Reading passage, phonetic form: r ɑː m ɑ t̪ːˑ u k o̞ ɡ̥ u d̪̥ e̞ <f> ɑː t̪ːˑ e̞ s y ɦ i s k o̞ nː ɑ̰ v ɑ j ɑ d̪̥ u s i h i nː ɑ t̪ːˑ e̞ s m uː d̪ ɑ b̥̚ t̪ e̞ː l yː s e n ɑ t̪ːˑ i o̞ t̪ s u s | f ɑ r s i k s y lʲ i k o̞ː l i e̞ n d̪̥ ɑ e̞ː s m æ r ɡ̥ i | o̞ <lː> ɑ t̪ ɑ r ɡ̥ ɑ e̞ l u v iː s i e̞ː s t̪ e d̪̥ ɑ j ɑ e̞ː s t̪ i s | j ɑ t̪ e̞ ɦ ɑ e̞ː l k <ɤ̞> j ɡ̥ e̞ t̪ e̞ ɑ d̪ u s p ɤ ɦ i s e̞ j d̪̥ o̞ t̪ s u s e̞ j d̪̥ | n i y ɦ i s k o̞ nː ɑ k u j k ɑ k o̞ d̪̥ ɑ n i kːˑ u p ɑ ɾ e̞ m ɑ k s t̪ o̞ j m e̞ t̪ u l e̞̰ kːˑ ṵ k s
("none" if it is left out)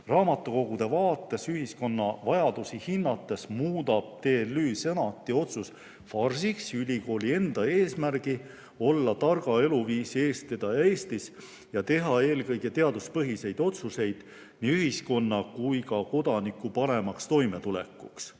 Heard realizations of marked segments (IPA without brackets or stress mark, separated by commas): v, lː, ɤ̞